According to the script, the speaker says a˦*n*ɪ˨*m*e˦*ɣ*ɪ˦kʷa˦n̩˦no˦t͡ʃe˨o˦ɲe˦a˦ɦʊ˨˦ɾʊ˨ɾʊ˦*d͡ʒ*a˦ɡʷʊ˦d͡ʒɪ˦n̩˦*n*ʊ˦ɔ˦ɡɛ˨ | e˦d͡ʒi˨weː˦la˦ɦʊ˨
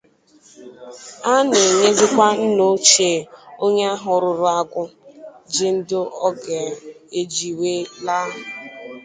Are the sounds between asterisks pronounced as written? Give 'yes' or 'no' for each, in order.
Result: yes, no, no, no, no

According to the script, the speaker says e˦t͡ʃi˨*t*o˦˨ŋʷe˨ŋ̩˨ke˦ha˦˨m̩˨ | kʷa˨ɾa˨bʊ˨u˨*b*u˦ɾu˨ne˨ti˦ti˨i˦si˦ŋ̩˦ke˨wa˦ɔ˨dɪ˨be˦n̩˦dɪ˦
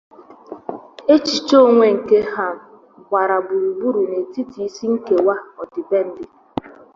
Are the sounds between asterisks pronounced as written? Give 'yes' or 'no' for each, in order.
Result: no, yes

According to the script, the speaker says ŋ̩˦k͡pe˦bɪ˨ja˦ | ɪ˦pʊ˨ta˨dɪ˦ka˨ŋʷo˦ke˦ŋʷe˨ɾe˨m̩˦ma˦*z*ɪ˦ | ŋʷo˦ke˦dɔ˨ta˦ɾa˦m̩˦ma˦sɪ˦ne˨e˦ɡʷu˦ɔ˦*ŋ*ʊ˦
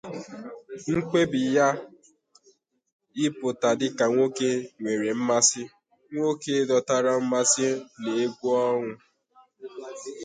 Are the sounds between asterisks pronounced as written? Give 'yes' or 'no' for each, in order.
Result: no, yes

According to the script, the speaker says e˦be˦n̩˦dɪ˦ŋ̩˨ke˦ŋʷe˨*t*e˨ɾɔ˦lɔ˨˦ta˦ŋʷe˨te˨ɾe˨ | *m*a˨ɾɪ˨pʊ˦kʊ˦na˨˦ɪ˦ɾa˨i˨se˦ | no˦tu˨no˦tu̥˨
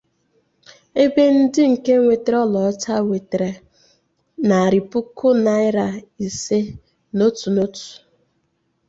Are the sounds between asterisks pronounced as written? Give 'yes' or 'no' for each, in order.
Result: yes, no

